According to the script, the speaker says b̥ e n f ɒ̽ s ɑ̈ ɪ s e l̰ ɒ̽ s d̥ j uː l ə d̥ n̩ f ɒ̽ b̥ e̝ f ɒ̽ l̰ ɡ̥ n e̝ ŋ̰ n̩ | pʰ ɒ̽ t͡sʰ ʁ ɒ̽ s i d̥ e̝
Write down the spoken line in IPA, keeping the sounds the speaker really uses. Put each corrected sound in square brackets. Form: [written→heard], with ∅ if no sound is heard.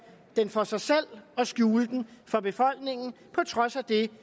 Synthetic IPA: [b̥→d̥] e n f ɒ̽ s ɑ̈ ɪ s e l̰ ɒ̽ s [d̥→ɡ̥] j uː l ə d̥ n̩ f ɒ̽ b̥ e̝ f ɒ̽ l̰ ɡ̥ n e̝ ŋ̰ n̩ | pʰ ɒ̽ t͡sʰ ʁ ɒ̽ s [i→æ] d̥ e̝